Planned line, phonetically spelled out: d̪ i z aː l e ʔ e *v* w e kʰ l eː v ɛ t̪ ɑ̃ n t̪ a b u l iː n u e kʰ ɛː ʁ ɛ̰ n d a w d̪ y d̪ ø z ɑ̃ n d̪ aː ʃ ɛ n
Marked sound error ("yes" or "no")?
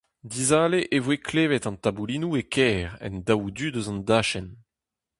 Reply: no